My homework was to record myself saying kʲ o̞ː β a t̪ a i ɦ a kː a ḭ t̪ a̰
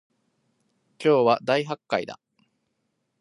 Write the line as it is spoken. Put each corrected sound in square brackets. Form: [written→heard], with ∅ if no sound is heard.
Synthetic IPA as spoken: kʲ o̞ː β a [t̪→d̪] a i ɦ a kː a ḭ [t̪→d̪] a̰